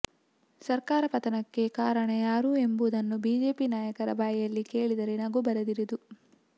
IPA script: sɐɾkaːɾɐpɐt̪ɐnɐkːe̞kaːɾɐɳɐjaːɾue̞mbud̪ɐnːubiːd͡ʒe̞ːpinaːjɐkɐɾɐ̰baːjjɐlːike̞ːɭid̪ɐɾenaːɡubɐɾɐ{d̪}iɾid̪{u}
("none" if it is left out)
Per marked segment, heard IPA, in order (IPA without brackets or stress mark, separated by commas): d̪, u